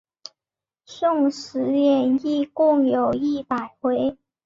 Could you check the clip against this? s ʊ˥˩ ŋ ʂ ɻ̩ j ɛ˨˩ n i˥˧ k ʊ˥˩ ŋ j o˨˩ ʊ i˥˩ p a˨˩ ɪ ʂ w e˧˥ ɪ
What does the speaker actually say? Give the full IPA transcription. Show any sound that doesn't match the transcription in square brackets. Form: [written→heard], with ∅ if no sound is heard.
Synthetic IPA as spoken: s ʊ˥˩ ŋ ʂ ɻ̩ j ɛ˨˩ n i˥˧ k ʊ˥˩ ŋ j o˨˩ ʊ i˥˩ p a˨˩ ɪ [ʂ→x] w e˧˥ ɪ